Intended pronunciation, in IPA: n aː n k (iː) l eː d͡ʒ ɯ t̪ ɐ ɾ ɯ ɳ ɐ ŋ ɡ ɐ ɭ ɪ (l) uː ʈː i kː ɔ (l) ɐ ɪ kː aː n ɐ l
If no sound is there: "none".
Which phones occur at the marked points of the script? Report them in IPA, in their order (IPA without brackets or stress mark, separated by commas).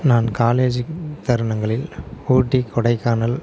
aː, l, ɽ